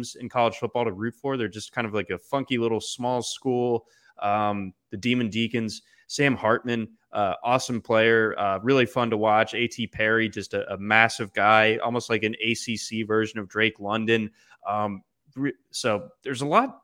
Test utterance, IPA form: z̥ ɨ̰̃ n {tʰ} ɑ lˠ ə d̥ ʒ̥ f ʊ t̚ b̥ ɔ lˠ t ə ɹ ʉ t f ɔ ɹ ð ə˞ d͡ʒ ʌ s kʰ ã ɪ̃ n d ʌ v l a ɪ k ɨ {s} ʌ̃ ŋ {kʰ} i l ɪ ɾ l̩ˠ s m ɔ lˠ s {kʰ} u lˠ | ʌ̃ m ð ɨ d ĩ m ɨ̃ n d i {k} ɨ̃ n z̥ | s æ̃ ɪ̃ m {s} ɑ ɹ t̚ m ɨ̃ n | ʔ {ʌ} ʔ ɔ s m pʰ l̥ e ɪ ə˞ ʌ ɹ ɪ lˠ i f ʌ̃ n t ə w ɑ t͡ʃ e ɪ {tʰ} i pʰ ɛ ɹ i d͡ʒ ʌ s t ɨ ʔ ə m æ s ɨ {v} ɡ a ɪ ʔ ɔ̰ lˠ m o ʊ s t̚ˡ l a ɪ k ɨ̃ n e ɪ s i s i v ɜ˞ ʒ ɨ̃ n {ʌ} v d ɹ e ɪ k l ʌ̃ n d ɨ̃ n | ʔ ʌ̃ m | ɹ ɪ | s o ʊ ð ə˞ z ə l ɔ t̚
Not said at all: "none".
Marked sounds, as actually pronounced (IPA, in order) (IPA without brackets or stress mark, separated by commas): kʰ, f, k, k, k, h, ʌ, tʰ, v, ʌ